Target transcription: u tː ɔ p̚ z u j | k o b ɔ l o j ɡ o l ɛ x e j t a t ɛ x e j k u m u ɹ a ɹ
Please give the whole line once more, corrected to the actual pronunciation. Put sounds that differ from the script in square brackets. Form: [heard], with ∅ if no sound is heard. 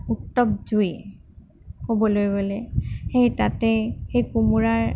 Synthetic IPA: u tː ɔ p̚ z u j | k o b ɔ l o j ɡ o l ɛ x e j t a t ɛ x e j k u m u ɹ a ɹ